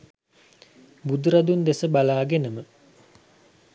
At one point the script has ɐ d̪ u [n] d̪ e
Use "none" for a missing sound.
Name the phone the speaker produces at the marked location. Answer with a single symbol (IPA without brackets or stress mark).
n